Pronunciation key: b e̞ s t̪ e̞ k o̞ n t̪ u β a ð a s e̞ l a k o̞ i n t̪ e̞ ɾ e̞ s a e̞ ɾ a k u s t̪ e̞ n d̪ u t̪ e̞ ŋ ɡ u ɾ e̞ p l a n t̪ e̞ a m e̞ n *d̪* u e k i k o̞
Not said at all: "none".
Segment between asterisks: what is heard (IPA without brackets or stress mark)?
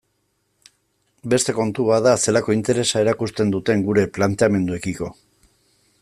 d̪